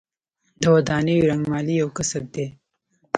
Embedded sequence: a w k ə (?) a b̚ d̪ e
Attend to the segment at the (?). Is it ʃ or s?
s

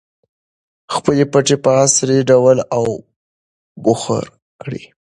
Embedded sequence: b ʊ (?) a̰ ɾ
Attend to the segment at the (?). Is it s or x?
x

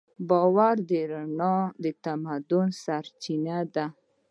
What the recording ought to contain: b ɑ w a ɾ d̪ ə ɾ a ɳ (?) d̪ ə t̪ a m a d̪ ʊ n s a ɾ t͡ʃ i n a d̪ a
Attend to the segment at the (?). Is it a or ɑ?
ɑ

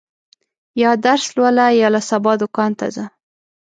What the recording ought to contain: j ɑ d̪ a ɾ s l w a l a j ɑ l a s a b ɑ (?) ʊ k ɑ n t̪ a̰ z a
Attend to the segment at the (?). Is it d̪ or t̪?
d̪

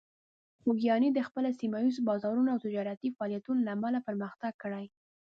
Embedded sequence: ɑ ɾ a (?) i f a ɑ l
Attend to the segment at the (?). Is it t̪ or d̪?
t̪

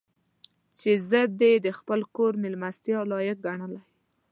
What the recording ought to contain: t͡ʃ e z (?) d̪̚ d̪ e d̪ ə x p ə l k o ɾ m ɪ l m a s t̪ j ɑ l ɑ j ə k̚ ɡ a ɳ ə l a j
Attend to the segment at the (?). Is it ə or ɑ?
ə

